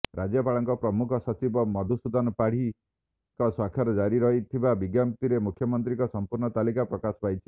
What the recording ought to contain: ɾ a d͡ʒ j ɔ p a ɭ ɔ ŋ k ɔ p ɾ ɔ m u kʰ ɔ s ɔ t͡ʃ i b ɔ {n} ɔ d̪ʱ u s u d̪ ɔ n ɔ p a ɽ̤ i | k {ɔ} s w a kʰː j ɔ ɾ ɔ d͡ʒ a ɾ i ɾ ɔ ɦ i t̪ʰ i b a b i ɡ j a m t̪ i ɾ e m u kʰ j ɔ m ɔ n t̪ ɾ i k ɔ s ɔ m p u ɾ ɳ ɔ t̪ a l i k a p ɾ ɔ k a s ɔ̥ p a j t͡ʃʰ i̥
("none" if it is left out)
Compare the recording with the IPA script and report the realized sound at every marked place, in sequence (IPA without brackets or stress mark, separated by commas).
m, ɔ